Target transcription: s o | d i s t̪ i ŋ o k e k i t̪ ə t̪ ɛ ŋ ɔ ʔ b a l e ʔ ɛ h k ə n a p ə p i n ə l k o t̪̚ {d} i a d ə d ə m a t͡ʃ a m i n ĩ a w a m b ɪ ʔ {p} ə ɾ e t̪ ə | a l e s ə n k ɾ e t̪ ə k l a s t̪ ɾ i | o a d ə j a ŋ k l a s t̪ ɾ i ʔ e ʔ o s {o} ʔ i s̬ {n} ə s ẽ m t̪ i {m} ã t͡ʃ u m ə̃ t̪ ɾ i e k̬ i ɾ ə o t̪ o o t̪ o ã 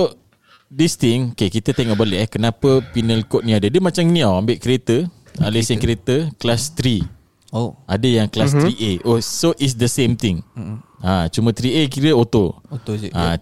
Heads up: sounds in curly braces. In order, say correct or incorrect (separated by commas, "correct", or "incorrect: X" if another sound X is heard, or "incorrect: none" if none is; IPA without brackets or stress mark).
incorrect: n, incorrect: k, correct, incorrect: d, incorrect: ŋ